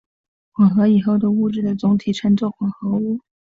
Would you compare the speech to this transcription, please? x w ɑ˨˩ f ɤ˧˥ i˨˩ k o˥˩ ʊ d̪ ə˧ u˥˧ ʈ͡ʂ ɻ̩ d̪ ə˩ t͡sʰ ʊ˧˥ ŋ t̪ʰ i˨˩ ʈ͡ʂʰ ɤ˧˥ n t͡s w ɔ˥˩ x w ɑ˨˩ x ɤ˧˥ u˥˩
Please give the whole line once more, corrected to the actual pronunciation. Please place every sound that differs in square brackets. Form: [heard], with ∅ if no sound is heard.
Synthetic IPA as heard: x w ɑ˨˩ [x] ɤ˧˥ i˨˩ [x] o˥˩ ʊ d̪ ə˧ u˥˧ ʈ͡ʂ ɻ̩ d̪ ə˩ [t͡s] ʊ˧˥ ŋ t̪ʰ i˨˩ ʈ͡ʂʰ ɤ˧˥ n t͡s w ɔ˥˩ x w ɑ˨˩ x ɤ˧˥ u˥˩